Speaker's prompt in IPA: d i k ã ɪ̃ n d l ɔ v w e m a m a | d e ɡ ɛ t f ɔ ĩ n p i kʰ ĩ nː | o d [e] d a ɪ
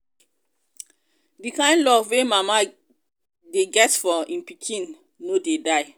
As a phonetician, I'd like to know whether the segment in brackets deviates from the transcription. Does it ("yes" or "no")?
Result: no